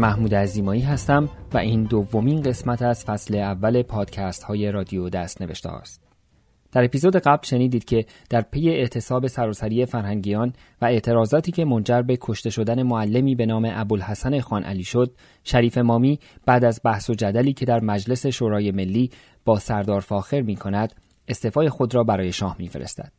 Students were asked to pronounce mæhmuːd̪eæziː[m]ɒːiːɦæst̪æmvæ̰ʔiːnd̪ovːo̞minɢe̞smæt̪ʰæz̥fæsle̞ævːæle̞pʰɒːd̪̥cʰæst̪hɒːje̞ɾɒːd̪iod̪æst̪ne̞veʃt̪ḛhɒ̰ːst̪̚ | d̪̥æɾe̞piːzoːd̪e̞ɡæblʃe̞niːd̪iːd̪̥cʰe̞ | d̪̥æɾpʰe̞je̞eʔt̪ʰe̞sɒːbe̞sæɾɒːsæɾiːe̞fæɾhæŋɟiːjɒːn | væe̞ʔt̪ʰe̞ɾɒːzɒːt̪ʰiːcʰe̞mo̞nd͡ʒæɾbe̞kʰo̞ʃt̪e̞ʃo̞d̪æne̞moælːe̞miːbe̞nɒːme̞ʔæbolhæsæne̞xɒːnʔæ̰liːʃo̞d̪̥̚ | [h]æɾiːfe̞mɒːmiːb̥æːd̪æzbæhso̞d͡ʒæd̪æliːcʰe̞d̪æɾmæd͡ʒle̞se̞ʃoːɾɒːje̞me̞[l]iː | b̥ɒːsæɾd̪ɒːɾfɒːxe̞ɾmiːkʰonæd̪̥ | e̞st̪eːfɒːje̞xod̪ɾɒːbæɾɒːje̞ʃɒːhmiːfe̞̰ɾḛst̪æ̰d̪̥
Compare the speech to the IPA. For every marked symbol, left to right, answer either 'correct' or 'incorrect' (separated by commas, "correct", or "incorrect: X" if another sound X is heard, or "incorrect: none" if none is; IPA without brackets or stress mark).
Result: correct, incorrect: ʃ, incorrect: lː